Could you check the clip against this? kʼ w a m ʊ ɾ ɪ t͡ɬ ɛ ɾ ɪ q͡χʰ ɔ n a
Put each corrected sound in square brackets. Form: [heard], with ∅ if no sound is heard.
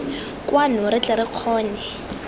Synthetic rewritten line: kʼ w a [n] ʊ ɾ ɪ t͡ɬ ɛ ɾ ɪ q͡χʰ [ɔː] n [ɛ]